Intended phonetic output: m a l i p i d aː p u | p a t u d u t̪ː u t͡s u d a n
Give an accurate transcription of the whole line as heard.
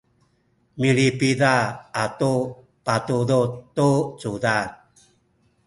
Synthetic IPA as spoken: m i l i p i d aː t u | p a t u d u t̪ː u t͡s u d a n